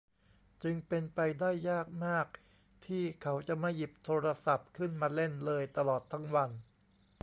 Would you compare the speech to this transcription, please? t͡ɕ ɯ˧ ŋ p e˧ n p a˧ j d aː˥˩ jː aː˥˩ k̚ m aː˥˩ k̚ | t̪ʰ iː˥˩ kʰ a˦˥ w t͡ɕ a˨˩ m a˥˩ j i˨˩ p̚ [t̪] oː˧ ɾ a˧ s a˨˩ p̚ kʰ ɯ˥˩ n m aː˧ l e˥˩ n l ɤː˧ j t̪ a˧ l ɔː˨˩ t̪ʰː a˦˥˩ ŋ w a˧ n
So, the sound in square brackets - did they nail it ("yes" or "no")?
no